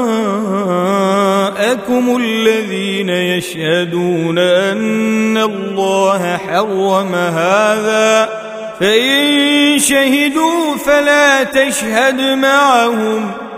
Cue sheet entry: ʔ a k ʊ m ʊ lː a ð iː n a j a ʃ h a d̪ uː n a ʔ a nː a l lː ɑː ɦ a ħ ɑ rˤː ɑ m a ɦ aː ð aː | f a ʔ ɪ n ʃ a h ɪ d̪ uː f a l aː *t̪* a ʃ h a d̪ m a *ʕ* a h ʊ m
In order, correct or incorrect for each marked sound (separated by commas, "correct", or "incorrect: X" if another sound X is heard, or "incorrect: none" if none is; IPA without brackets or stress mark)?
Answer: correct, correct